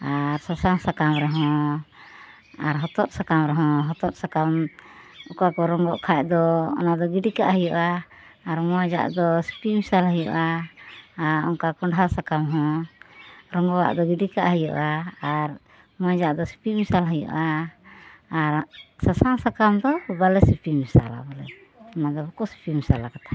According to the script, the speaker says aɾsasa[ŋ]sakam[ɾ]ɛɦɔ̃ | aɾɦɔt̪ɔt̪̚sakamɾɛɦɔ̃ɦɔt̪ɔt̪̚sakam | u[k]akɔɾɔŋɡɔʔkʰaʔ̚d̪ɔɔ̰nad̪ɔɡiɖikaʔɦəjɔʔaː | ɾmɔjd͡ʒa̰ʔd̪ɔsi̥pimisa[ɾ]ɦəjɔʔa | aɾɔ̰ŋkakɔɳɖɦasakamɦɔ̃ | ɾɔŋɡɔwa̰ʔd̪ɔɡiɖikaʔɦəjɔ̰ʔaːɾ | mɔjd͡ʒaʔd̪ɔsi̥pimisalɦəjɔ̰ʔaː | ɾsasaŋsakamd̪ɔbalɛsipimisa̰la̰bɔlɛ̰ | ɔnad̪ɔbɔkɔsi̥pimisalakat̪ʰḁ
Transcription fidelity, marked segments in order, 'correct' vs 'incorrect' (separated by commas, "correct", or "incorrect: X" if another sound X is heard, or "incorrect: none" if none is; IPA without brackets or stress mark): correct, correct, correct, incorrect: l